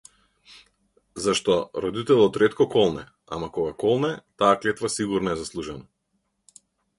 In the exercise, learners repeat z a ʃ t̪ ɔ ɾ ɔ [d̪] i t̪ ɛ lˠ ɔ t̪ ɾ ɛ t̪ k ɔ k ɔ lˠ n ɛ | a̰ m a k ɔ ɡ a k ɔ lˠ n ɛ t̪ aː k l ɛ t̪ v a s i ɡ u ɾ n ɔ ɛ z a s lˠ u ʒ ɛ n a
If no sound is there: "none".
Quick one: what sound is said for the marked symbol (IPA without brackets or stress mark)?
d̪